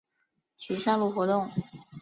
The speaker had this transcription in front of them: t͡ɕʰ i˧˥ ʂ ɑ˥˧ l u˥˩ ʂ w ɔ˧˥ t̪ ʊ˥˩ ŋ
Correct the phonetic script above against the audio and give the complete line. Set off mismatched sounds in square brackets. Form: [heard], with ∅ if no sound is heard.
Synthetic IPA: t͡ɕʰ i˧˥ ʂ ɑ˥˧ l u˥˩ [x] w ɔ˧˥ t̪ ʊ˥˩ ŋ